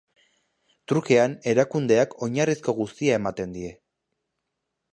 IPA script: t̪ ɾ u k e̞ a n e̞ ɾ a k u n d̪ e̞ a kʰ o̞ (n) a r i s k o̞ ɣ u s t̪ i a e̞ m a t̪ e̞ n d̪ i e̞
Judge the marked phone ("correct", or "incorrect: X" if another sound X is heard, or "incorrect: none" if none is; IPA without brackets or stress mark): incorrect: ɲ